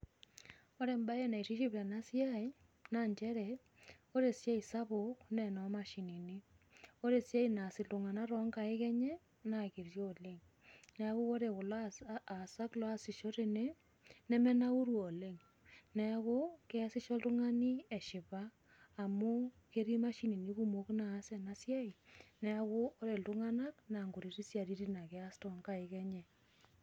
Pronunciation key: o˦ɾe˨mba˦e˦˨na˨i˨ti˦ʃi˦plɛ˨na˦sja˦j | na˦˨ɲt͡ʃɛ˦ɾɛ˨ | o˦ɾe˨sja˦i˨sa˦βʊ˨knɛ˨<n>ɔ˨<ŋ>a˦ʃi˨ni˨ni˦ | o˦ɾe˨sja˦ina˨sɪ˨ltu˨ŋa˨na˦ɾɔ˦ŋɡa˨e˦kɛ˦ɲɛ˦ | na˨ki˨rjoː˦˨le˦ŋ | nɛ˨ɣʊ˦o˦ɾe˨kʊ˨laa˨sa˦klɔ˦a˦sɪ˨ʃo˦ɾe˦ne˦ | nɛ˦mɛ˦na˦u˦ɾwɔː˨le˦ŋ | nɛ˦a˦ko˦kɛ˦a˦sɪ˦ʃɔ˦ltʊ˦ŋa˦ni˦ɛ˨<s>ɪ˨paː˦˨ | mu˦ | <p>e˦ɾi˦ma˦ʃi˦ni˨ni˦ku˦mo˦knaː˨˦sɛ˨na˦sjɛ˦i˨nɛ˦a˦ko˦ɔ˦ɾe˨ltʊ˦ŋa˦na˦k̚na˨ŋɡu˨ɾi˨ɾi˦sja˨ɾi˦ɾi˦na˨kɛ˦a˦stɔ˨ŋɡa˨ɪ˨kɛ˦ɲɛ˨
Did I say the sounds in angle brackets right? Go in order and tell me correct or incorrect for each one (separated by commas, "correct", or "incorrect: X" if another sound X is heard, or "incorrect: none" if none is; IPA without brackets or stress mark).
correct, incorrect: m, incorrect: ʃ, incorrect: k